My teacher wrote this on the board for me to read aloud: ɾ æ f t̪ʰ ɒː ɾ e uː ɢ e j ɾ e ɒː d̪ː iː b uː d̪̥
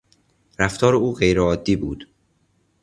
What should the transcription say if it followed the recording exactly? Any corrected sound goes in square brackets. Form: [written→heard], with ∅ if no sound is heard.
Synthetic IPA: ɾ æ f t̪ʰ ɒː ɾ e uː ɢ e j ɾ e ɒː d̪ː iː b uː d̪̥